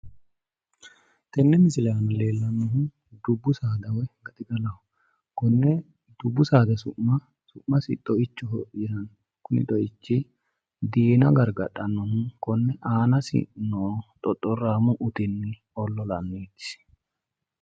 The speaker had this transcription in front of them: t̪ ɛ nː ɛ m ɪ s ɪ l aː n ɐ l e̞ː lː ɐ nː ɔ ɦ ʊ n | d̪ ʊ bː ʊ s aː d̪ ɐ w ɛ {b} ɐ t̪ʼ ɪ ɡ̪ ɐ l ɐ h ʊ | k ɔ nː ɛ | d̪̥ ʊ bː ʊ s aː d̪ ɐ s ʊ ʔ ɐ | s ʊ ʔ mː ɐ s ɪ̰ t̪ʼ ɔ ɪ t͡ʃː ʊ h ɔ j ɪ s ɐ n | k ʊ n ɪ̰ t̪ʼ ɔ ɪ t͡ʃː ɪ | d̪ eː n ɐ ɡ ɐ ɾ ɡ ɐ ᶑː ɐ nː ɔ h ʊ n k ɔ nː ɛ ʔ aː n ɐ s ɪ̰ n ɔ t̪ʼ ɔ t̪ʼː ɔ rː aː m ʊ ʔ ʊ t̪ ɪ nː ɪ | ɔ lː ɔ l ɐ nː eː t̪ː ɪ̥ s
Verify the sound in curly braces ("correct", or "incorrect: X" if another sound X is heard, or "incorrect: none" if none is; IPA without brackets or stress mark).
incorrect: ɡ